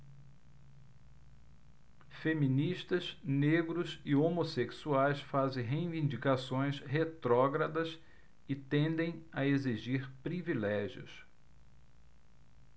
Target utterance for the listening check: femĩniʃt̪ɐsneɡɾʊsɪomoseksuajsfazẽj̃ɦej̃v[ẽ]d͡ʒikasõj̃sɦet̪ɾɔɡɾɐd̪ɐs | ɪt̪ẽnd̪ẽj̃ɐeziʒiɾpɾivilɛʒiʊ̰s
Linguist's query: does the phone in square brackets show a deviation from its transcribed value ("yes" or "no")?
yes